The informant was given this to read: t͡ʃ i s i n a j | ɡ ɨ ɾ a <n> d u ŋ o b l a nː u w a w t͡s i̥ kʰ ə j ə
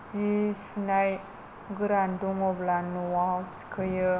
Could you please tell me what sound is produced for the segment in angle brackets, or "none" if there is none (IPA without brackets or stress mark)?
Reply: n